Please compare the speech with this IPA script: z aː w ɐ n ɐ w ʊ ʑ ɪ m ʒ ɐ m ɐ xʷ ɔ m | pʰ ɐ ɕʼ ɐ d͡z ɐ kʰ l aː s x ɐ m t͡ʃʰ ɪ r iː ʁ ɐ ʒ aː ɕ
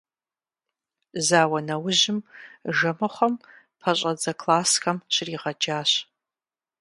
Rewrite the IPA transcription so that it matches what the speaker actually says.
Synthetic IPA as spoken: z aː w ɐ n ɐ w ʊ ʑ ɪ m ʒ ɐ m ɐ χʷ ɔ m | pʰ ɐ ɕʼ ɐ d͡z ɐ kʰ l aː s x ɐ m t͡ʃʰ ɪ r iː ʁ ɐ d͡ʒ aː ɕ

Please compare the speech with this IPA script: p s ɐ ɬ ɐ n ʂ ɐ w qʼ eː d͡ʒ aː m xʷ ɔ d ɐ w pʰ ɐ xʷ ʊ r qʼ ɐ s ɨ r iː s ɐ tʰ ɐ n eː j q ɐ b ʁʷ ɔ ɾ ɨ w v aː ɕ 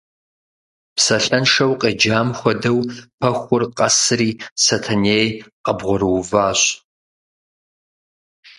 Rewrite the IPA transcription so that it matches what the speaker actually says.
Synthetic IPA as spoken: p s ɐ ɬ ɐ n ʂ ɐ w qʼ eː d͡ʒ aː m xʷ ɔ d ɐ w pʰ ɐ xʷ ʊ r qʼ ɐ s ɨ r iː s ɐ tʰ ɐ n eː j q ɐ b ʁʷ ɔ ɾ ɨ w v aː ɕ

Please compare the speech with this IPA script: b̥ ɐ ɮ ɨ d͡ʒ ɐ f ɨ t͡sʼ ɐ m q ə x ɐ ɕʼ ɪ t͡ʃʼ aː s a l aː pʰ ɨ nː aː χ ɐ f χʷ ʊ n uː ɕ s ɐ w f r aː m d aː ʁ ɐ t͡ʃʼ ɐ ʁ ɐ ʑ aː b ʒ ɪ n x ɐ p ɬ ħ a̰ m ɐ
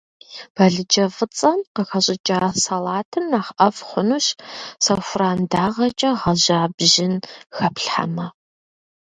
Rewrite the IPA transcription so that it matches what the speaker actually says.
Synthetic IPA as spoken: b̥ ɐ ɮ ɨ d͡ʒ ɐ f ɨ t͡sʼ ɐ m q ə x ɐ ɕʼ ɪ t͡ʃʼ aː s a l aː tʰ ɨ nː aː χ ɐ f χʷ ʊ n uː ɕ s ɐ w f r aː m d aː ʁ ɐ t͡ʃʼ ɐ ʁ ɐ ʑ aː b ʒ ɪ n x ɐ p ɬ ħ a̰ m ɐ

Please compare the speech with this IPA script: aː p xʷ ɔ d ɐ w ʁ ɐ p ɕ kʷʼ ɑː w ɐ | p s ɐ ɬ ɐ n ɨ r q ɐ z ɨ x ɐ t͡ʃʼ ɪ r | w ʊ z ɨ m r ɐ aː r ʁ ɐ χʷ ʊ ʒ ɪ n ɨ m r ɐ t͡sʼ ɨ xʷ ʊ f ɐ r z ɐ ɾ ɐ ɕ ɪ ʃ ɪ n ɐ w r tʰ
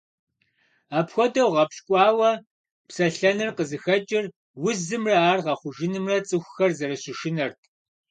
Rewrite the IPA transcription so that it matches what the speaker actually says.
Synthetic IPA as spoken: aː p xʷ ɔ d ɐ w ʁ ɐ p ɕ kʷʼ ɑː w ɐ | p s ɐ ɬ ɐ n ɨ r q ə z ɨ x ɐ t͡ʃʼ ɪ r | w ʊ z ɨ m r ɐ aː r ʁ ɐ χʷ ʊ ʒ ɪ n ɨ m r ɐ t͡sʼ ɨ xʷ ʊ x ɐ r z ɐ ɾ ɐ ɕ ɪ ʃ ɪ n ɐ r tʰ

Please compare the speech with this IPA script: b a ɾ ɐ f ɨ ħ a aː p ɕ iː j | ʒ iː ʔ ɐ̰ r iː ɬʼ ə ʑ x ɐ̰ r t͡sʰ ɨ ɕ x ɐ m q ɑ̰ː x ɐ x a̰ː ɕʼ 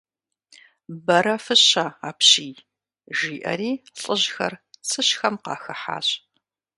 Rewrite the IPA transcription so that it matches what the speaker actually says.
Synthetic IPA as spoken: b ɐ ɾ ɐ f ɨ ɕ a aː p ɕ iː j | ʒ iː ʔ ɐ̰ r iː ɬʼ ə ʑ x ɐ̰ r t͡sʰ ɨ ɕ x ɐ m q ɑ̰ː x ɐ ħ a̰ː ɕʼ

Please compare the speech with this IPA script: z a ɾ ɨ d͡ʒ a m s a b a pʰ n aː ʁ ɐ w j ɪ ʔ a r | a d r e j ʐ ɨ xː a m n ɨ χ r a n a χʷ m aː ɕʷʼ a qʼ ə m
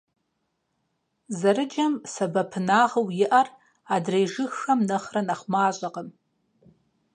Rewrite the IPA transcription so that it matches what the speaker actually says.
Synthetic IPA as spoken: z a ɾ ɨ d͡ʒ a m s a b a pʰ n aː ʁ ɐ w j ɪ ʔ a r | a d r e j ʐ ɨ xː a m n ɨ χ r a n a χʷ m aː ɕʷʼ a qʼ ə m

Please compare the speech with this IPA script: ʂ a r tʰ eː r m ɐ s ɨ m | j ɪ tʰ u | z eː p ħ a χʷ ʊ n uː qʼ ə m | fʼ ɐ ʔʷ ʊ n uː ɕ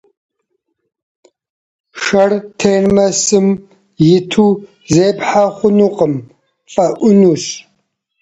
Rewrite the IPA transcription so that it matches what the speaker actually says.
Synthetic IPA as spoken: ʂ ɐ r tʰ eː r m ɐ s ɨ m | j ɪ tʰ u | z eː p ħ a χʷ ʊ n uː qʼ ə m | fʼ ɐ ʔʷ ʊ n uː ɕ

